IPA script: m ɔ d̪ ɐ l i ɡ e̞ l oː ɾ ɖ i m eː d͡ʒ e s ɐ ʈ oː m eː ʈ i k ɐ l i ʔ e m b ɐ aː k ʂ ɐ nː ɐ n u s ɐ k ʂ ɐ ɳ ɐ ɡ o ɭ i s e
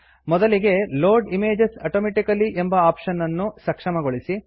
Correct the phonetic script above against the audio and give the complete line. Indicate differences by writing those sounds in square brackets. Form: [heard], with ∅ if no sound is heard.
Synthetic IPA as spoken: m ɔ d̪ ɐ l i ɡ e̞ l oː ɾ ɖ i m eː d͡ʒ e s ɐ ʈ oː m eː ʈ i k ɐ l i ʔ e m b ɐ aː [p] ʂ ɐ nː ɐ [nː] u s ɐ k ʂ ɐ [m] ɐ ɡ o ɭ i s [i]